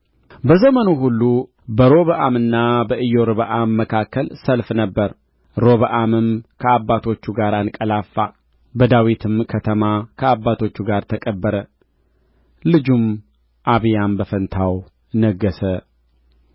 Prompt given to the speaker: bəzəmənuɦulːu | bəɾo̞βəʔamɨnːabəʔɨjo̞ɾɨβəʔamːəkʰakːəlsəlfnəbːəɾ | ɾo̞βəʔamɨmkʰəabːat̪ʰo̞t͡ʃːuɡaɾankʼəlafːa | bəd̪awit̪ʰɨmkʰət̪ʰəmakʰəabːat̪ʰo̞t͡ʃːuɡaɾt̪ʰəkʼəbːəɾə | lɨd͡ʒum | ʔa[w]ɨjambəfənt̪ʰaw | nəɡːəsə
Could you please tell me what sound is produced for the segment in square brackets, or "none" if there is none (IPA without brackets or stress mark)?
β